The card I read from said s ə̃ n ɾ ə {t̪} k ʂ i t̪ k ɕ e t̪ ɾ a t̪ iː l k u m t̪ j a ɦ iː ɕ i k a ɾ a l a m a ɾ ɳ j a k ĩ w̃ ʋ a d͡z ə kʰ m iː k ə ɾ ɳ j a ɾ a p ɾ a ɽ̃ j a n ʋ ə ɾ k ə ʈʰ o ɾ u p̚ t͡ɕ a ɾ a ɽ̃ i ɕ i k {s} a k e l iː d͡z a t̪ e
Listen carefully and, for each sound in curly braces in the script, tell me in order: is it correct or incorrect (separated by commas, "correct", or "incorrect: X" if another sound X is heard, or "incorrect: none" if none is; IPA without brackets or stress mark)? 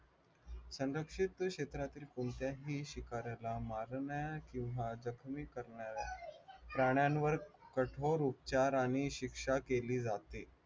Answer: incorrect: none, incorrect: ʂ